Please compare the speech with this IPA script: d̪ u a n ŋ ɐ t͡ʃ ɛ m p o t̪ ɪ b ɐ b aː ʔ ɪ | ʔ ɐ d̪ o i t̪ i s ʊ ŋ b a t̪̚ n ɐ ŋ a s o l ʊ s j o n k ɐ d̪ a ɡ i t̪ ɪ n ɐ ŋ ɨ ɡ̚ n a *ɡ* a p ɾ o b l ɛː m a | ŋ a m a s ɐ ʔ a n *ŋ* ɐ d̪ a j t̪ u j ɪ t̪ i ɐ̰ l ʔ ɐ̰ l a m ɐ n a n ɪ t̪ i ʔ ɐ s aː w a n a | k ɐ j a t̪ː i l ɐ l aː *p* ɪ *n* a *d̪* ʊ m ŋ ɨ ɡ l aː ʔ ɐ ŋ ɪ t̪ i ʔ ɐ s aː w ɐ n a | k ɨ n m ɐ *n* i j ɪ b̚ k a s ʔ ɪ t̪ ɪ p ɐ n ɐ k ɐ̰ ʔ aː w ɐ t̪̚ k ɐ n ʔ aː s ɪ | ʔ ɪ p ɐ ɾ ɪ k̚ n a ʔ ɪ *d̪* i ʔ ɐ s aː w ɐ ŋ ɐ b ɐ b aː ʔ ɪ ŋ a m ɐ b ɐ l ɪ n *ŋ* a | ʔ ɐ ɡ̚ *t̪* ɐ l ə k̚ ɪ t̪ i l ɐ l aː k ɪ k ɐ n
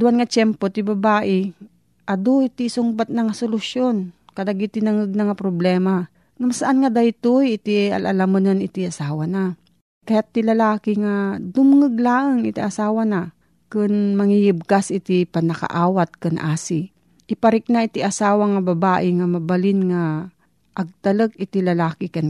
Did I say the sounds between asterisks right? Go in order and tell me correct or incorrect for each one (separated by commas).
incorrect, correct, incorrect, incorrect, correct, incorrect, incorrect, correct, correct